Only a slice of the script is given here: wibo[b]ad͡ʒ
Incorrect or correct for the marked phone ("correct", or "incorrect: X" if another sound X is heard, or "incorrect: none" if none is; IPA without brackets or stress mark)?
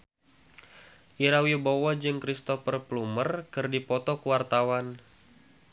incorrect: w